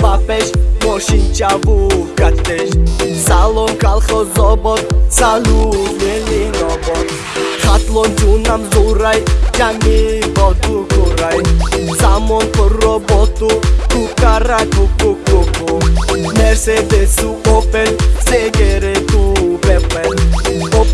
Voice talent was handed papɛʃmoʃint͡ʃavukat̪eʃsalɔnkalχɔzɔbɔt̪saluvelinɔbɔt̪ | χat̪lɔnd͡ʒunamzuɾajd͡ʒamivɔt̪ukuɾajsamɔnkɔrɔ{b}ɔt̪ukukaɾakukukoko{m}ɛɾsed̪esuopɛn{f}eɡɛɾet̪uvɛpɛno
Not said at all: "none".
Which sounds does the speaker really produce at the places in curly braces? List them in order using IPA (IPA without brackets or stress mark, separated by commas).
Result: b, m, s